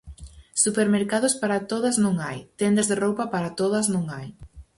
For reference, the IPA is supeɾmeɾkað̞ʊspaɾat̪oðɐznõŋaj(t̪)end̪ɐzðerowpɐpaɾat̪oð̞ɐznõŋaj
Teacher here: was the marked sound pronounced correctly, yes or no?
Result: yes